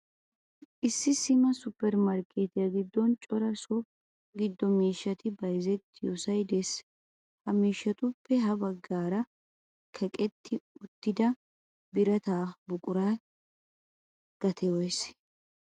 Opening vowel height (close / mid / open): close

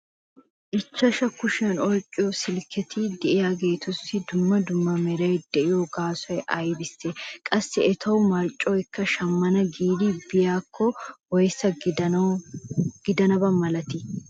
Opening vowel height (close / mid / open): close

